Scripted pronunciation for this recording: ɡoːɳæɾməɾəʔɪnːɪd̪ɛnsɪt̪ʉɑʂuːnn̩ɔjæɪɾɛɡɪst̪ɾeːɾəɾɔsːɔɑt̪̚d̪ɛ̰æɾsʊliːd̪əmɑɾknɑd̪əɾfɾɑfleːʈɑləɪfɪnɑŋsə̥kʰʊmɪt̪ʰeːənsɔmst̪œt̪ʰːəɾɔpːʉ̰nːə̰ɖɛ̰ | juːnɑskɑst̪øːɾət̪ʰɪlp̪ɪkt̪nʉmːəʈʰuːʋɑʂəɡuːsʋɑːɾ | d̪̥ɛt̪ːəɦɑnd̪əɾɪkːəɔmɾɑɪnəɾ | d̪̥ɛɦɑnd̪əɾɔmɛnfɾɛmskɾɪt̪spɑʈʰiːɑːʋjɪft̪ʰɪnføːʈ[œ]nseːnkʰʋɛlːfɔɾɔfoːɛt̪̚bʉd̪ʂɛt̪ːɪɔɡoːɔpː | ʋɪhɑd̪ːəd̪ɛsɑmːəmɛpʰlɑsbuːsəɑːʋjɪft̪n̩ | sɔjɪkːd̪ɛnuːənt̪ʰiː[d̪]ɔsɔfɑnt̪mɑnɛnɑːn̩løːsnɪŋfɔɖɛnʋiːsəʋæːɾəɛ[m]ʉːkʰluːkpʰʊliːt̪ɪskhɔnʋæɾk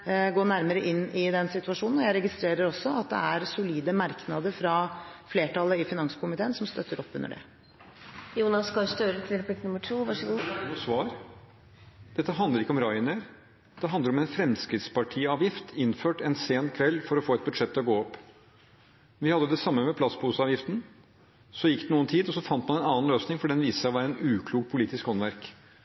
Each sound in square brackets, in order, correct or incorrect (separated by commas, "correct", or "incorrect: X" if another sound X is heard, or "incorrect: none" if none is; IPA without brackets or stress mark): incorrect: ɛ, correct, incorrect: n